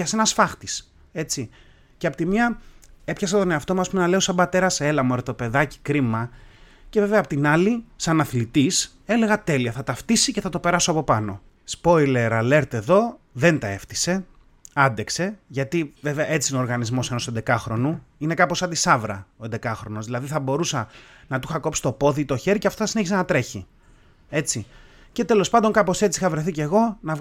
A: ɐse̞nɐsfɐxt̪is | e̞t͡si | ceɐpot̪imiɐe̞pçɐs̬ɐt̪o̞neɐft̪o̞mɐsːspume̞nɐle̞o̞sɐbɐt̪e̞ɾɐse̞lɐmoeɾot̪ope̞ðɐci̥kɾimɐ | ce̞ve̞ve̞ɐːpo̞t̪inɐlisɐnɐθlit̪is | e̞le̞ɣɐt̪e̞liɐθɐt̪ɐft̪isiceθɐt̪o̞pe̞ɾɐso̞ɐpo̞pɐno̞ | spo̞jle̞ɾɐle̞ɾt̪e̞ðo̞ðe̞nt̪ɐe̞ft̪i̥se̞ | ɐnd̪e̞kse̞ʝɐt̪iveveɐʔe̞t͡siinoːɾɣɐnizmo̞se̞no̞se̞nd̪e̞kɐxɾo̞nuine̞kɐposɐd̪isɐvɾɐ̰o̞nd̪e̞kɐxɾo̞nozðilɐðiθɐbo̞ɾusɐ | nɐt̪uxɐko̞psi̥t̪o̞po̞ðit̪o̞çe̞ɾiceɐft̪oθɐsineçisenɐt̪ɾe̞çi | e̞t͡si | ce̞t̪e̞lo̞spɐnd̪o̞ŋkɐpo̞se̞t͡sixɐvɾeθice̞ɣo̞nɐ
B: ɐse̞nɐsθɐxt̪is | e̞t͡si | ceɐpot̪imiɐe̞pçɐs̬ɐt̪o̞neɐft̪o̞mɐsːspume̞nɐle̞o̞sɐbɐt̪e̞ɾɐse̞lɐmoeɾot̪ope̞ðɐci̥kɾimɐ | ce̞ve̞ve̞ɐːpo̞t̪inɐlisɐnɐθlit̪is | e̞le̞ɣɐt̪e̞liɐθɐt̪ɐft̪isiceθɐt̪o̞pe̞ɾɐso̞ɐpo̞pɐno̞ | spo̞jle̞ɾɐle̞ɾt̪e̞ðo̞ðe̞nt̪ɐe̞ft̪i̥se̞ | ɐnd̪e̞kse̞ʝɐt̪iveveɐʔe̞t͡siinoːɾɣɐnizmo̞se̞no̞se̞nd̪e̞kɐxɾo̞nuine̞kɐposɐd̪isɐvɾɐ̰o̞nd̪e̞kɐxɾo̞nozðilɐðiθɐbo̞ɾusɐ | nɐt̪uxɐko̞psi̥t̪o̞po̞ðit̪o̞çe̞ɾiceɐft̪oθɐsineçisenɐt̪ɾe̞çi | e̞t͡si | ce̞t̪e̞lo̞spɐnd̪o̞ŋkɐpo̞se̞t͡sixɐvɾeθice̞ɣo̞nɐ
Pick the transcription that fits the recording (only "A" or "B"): A